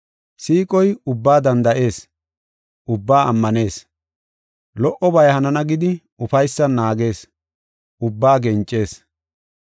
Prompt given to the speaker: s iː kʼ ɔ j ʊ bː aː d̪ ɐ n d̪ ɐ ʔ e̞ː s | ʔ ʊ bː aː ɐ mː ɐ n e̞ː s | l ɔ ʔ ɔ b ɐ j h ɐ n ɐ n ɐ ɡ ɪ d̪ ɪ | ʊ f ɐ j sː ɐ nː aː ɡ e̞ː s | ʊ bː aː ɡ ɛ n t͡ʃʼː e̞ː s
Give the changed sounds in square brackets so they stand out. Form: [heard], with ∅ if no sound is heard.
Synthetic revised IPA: s iː kʼ ɔ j ʊ bː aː d̪ ɐ n d̪ ɐ ʔ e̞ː s | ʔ ʊ bː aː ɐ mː ɐ n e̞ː s | l ɔ ʔ ɔ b ɐ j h ɐ n ɐ n ɐ ɡ ɪ d̪ ɪ | ʊ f ɐ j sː ɐ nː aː ɡ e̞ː s | ʊ bː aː ɡ ɛ n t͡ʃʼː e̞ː s